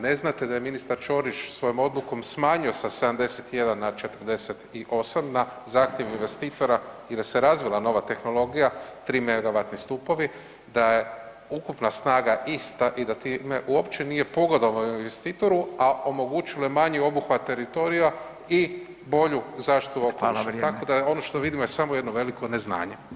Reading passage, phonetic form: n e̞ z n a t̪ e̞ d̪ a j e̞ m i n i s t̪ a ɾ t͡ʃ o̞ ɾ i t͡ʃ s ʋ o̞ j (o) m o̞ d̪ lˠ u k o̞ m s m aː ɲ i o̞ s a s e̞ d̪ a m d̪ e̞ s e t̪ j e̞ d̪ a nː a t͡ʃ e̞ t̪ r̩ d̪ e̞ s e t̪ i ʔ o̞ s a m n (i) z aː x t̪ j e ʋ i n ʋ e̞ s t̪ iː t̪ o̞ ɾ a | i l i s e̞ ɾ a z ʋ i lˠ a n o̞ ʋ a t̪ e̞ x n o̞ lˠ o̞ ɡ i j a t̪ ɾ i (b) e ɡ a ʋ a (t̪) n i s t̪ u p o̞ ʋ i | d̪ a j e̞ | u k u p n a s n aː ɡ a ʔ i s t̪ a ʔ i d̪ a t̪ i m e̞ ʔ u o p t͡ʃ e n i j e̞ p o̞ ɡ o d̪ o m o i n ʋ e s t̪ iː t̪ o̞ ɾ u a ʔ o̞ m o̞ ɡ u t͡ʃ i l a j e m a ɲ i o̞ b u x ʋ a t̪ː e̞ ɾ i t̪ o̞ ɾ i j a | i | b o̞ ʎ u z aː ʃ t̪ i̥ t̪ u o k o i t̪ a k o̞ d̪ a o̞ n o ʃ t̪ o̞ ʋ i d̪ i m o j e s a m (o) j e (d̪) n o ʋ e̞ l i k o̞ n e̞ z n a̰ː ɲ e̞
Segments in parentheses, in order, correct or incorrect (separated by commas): correct, incorrect, incorrect, correct, correct, correct